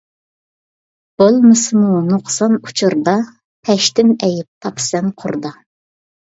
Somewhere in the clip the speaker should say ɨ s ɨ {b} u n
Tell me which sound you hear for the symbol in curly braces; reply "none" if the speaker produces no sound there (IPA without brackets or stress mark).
m